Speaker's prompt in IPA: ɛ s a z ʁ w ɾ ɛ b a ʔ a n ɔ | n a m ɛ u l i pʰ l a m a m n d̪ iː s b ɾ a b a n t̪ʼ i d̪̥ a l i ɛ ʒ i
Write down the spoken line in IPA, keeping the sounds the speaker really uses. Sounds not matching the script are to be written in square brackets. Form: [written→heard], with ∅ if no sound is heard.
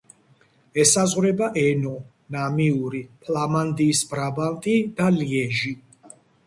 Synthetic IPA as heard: ɛ s a z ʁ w ɾ ɛ b a ʔ [a→ɛ] n ɔ | n a m [ɛ→i] u [l→ɾ] i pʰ l a m a [m→∅] n d̪ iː s b ɾ a b a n t̪ʼ i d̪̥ a l i ɛ ʒ i